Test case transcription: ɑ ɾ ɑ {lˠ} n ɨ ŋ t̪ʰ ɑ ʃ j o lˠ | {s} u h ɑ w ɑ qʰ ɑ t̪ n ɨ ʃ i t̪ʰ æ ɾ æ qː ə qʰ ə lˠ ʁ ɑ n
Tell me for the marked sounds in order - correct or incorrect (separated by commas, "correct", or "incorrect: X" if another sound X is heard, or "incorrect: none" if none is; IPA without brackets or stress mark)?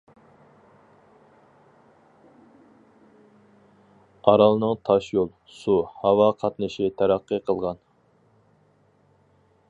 correct, correct